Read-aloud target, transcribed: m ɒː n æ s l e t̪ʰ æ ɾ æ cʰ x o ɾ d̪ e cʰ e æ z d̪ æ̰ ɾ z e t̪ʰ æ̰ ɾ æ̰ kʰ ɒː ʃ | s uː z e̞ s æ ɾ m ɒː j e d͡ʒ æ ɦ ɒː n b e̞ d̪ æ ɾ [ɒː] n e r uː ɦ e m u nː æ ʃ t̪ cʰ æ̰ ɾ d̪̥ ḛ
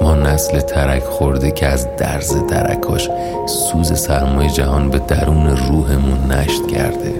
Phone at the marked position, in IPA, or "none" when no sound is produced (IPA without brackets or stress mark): uː